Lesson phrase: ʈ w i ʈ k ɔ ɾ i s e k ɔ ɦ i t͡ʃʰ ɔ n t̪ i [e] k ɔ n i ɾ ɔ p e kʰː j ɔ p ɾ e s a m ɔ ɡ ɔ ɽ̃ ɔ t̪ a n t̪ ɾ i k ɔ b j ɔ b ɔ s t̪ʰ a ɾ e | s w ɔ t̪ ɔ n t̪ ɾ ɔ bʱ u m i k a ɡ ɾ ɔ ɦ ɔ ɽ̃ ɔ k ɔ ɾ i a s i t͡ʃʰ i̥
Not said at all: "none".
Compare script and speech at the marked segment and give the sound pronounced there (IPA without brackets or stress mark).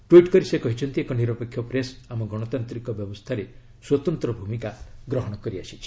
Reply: e